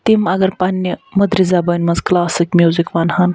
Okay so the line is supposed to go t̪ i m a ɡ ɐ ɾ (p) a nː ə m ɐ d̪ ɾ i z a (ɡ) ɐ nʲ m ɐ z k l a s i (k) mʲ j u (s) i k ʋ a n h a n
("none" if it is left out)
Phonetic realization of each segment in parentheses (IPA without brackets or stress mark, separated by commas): p, b, k, z